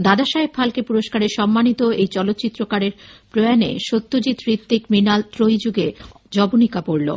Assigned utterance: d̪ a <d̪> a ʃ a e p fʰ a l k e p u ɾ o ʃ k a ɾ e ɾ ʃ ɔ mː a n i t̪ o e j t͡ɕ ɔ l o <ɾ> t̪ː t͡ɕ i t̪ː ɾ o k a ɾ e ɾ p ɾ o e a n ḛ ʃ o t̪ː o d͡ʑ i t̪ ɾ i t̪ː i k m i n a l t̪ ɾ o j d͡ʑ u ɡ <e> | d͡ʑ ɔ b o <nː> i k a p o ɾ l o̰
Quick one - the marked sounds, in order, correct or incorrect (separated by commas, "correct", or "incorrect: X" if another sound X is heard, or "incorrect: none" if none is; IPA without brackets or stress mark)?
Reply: correct, incorrect: none, correct, incorrect: n